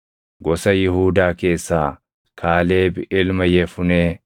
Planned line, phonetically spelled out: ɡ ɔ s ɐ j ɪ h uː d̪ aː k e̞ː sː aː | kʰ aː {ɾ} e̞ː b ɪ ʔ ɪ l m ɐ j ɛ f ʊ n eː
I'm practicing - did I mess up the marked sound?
yes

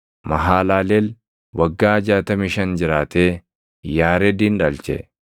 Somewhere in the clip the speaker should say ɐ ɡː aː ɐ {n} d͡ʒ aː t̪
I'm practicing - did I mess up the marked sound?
yes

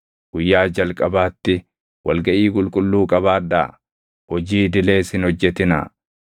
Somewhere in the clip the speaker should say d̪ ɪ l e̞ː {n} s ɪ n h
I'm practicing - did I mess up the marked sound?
yes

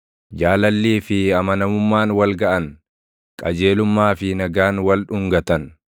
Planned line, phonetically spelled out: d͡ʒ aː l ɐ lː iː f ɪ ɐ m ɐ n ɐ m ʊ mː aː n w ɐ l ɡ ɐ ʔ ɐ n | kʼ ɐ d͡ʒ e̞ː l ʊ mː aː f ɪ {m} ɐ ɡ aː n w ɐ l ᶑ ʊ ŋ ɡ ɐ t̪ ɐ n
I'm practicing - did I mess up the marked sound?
yes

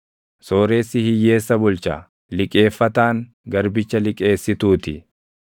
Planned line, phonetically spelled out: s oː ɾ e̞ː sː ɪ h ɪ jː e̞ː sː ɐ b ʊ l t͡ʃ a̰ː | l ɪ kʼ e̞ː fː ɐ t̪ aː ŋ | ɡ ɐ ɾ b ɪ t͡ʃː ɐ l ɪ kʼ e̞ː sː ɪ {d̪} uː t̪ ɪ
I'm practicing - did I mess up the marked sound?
yes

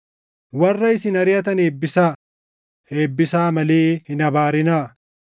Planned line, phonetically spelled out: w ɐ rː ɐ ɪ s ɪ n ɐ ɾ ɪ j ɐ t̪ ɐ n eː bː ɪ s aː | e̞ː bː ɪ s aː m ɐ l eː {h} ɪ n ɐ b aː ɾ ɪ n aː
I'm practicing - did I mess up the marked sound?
no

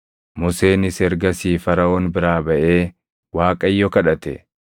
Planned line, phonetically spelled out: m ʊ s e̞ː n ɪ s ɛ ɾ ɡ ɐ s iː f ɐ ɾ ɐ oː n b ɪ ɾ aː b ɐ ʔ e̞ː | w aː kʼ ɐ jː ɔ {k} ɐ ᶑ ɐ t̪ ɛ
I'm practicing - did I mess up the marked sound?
no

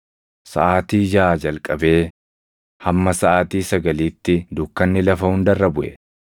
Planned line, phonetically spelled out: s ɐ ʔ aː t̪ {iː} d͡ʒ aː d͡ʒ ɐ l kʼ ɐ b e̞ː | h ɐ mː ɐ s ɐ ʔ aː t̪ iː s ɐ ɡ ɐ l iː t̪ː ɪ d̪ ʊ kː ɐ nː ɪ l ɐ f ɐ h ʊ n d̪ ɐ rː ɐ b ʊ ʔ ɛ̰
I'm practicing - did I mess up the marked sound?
no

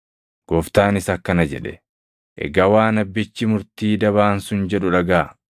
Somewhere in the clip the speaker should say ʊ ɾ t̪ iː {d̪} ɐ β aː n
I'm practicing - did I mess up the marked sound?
no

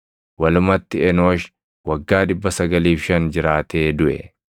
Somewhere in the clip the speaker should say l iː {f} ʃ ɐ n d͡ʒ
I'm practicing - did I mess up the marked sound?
no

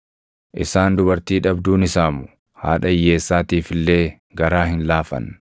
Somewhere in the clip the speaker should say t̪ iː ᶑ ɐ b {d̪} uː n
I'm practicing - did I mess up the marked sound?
no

